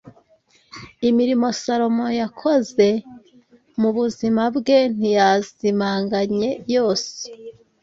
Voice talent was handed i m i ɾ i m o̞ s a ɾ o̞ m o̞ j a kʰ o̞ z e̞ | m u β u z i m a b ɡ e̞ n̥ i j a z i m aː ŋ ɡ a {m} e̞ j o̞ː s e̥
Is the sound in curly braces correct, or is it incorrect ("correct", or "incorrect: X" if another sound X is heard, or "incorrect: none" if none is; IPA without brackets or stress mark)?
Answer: incorrect: ɲ